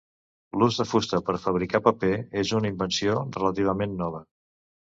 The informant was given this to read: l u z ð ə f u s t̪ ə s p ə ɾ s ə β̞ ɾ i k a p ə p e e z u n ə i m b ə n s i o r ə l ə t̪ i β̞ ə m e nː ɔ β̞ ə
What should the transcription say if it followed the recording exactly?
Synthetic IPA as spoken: l u z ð ə f u s t̪ ə p ə ɾ f ə β̞ ɾ i k a p ə p e e z u n ə i m b ə n s i o r ə l ə t̪ i β̞ ə m e nː ɔ β̞ ə